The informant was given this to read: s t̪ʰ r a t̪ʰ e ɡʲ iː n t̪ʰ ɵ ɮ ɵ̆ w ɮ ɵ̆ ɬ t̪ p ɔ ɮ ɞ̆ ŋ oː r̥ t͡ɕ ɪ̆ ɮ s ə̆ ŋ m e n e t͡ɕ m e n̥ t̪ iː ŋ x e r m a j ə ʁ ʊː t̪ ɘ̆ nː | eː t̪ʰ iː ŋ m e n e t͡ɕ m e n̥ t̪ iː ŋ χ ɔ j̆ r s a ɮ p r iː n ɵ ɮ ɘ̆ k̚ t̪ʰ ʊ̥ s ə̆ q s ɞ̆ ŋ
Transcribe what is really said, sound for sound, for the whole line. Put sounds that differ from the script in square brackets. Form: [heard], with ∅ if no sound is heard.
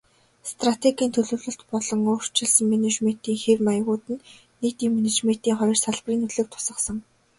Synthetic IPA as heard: s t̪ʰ r a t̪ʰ e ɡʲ iː n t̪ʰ ɵ ɮ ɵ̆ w ɮ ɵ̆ ɬ t̪ p ɔ ɮ ɞ̆ ŋ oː r̥ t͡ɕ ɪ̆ ɮ s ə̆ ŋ m e n e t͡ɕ m e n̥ t̪ iː ŋ x e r m a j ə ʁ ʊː t̪ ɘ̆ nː | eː [t̪] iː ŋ m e n e t͡ɕ m e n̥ t̪ iː ŋ χ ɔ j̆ r s a ɮ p r iː n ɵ ɮ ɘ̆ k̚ t̪ʰ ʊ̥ s ə̆ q s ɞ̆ ŋ